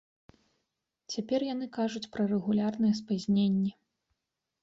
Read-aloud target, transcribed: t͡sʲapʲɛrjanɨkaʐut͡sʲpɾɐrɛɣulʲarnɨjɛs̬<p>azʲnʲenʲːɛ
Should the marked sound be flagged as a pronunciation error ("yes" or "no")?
no